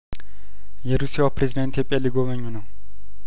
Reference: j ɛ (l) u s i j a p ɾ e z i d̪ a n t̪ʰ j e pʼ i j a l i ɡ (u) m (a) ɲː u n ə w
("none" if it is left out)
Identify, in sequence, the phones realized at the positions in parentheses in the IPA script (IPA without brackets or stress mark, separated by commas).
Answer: ɾ, o, ə